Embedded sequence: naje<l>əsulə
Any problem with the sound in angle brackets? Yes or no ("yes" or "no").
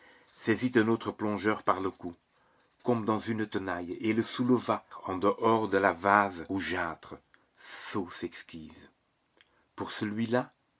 no